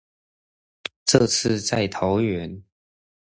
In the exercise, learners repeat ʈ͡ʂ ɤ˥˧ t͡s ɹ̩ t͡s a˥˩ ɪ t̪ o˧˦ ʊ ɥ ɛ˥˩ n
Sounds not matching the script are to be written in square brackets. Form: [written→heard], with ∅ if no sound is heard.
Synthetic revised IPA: ʈ͡ʂ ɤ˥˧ [t͡s→t͡sʰ] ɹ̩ t͡s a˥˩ ɪ [t̪→t̪ʰ] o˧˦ ʊ ɥ [ɛ˥˩→ɛ˧˦] n